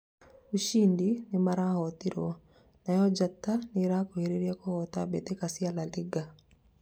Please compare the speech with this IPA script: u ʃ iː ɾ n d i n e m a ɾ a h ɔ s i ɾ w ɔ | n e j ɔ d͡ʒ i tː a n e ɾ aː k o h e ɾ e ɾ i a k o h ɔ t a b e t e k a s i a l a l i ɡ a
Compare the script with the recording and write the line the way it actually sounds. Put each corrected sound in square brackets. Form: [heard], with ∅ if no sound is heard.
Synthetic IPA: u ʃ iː [∅] n d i n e m a ɾ a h ɔ [t] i ɾ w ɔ | n [a] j ɔ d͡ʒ [a] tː a n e ɾ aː k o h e ɾ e ɾ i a k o h ɔ t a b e t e k a s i a l a l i ɡ a